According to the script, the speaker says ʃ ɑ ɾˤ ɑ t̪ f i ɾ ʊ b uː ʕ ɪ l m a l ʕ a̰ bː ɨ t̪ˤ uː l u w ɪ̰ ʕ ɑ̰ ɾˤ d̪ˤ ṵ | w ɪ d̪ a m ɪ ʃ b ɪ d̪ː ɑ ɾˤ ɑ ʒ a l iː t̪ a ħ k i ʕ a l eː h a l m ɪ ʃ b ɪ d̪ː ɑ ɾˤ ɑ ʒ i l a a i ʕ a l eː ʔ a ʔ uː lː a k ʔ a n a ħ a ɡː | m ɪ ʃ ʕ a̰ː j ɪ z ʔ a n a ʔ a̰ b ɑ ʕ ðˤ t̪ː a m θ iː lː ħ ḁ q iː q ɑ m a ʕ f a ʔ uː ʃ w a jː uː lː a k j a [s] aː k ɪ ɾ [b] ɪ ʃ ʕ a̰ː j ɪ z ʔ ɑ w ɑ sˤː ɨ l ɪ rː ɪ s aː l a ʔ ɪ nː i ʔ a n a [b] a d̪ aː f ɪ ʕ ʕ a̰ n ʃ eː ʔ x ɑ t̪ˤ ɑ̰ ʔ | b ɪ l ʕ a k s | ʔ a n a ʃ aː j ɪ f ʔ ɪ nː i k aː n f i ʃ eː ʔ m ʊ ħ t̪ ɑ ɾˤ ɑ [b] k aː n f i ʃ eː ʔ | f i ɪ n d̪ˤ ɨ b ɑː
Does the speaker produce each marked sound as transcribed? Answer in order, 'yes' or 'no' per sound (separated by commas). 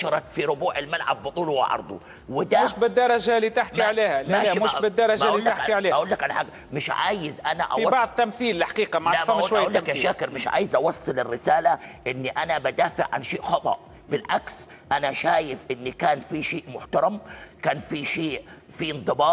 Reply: no, no, yes, no